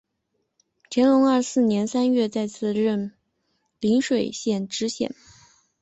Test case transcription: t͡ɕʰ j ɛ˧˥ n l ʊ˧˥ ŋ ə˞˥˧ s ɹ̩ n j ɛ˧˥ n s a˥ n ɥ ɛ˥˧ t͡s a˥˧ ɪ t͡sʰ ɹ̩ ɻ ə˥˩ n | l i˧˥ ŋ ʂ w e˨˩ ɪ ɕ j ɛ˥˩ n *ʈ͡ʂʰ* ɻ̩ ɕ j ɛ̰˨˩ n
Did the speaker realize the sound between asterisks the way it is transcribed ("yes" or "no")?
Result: no